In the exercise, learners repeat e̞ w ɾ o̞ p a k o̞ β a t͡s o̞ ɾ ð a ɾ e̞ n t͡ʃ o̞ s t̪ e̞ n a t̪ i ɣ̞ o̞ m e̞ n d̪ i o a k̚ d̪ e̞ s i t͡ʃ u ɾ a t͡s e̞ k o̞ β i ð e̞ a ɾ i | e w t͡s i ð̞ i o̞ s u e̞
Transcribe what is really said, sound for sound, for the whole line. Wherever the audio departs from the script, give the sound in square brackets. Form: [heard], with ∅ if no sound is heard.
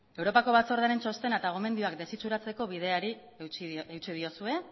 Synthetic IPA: e̞ w ɾ o̞ p a k o̞ β a t͡s o̞ ɾ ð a ɾ e̞ n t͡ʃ o̞ s t̪ e̞ n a t̪ [a] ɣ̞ o̞ m e̞ n d̪ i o a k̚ d̪ e̞ s i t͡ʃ u ɾ a t͡s e̞ k o̞ β i ð e̞ a ɾ i | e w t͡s i ð̞ i o̞ s u e̞